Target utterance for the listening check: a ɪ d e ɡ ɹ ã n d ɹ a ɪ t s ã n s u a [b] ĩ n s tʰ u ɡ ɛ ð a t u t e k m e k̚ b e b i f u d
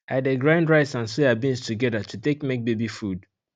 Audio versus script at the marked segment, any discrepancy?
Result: no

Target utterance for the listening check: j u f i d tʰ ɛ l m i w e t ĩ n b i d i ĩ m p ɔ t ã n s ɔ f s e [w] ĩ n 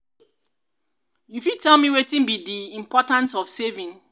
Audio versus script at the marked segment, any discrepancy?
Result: yes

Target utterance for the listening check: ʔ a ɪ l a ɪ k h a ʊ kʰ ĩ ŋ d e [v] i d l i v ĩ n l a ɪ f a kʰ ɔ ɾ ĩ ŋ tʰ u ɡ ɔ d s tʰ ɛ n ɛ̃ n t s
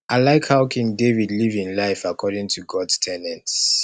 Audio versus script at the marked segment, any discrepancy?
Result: no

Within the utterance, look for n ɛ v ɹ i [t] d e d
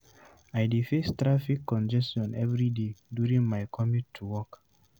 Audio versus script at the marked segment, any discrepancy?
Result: yes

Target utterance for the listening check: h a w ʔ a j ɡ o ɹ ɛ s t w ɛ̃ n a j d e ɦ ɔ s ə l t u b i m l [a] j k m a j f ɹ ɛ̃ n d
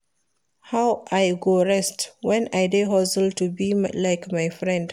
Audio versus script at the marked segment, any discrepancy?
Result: no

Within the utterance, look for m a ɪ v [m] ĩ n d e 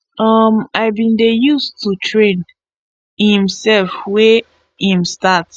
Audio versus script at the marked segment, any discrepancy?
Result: yes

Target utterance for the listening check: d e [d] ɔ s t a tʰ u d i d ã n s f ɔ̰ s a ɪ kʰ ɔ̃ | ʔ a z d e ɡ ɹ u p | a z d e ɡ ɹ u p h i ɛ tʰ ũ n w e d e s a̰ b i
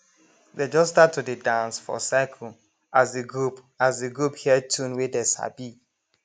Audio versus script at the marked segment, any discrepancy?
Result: yes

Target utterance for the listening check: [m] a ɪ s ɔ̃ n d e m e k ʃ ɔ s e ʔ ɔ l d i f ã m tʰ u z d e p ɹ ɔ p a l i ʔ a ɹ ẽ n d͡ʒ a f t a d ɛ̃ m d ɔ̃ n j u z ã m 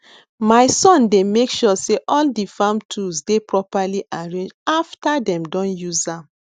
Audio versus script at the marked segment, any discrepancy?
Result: no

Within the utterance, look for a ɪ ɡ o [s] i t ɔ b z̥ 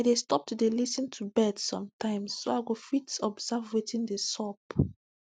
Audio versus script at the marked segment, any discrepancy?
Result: yes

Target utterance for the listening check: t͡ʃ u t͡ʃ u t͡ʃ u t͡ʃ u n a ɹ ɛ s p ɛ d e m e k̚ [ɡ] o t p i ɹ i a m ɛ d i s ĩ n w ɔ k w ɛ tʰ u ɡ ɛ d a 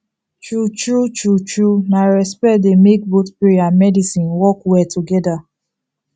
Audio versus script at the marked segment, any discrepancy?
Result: yes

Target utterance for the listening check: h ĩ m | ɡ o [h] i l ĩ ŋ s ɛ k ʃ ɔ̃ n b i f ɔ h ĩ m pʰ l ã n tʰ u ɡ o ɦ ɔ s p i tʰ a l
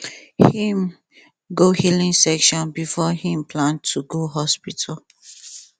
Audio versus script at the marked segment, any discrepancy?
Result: no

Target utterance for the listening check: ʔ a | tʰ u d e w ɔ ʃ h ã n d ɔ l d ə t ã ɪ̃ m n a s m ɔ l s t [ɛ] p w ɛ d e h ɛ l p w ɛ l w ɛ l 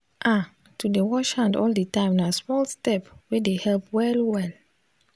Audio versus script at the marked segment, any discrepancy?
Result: no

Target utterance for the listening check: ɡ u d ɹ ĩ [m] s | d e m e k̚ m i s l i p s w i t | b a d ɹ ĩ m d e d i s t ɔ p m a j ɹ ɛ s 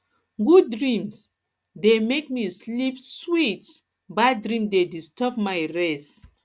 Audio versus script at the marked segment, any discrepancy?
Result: no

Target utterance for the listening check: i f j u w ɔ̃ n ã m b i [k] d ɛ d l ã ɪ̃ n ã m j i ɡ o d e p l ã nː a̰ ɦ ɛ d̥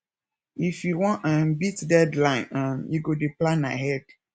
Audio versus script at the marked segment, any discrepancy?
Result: yes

